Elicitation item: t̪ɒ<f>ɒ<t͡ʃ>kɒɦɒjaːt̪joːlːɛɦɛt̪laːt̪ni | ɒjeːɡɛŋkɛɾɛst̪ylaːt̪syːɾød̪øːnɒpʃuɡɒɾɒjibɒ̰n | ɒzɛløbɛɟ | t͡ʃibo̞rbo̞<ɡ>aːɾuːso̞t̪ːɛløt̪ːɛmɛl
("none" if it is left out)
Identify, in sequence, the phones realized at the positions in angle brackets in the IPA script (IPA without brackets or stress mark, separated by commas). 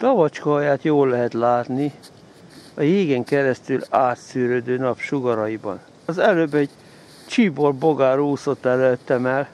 v, t͡ʃ, ɡ